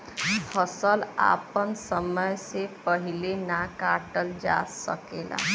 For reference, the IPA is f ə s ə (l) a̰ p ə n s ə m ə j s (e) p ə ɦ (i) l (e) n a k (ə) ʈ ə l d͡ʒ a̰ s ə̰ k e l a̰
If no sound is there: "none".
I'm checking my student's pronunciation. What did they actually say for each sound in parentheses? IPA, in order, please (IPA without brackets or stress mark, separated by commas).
l, e, i, e, a